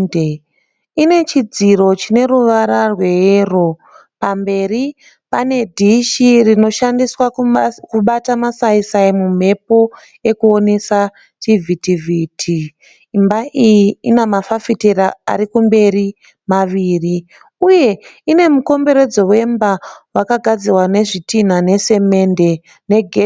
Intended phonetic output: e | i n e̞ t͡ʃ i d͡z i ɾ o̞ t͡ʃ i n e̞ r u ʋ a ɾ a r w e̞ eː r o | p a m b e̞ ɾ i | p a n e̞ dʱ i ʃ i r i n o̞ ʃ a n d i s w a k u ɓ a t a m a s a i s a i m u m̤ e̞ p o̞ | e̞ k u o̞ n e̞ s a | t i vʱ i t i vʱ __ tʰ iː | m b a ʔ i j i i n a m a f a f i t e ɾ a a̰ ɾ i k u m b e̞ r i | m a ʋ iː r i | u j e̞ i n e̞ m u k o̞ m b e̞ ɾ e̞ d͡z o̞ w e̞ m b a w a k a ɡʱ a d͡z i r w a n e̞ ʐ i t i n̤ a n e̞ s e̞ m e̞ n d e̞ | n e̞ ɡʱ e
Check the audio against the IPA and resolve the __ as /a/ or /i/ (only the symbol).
i